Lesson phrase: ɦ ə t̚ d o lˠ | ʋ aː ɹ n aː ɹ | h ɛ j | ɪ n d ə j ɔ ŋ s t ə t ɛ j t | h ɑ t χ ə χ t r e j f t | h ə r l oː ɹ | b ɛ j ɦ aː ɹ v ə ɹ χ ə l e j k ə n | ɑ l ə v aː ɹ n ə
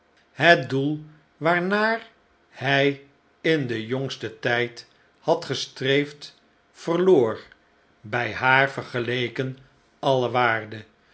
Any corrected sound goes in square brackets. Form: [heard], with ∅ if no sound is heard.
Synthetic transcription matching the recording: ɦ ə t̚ d [u] lˠ | ʋ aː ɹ n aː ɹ | h ɛ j | ɪ n d ə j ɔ ŋ s t ə t ɛ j t | h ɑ t χ ə [s] t r e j f t | [f] ə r l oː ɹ | b ɛ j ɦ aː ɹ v ə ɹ χ ə l e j k ə n | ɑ l ə [ʋ] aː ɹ [d] ə